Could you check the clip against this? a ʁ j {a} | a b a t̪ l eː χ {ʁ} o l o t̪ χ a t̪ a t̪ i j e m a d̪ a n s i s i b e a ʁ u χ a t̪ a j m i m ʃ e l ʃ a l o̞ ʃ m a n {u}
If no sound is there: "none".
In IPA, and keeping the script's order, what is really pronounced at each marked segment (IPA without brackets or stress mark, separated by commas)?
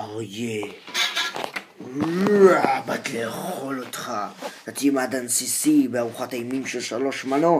e, χ, o